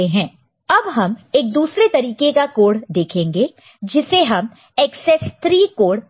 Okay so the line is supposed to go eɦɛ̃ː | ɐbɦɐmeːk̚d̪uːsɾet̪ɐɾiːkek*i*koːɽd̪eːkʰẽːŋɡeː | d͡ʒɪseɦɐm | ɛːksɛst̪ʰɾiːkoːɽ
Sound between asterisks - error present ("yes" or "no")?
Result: yes